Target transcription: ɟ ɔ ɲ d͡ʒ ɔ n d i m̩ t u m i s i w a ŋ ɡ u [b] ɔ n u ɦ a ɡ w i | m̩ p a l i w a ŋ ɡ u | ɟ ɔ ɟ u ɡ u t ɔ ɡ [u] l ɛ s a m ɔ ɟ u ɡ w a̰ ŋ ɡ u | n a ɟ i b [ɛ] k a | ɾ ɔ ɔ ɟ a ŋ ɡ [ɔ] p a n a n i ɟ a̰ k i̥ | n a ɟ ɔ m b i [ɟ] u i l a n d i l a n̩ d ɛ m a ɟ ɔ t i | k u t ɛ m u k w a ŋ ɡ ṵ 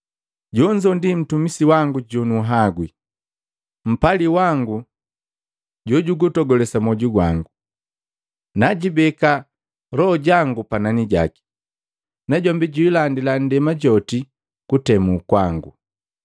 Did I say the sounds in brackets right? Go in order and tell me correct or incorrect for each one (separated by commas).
incorrect, incorrect, correct, incorrect, correct